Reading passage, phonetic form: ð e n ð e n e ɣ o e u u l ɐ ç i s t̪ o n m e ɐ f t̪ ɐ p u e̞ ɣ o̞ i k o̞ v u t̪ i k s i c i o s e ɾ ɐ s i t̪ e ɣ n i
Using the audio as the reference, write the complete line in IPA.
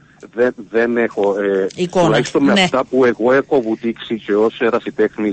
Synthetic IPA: ð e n ð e n e x o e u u l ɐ ç i s t̪ o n m e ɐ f t̪ ɐ p u e̞ ɣ o̞ e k o̞ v u t̪ i k s i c e o s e ɾ ɐ s i t̪ e x n i